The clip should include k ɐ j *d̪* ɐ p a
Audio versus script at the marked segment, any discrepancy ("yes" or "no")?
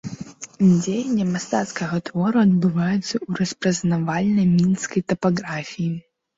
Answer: yes